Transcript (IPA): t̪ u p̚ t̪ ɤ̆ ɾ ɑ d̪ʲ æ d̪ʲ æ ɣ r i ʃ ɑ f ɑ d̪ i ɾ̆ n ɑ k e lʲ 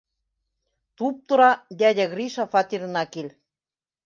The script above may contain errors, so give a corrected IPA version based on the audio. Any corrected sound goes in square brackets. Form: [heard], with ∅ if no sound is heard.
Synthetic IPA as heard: t̪ u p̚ t̪ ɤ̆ ɾ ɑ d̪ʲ æ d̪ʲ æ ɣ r i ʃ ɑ f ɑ [t̪] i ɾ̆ n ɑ k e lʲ